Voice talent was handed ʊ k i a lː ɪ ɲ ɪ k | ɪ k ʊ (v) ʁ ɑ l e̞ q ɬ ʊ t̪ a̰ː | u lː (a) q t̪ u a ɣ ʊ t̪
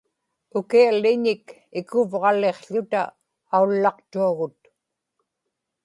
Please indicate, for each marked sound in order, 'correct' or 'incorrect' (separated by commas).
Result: correct, incorrect